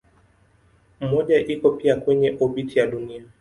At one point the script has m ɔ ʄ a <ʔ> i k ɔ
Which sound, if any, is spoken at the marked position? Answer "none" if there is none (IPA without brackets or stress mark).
ʔ